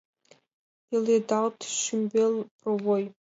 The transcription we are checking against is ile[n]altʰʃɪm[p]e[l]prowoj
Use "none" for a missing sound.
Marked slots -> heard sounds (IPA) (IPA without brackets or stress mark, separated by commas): d, b, l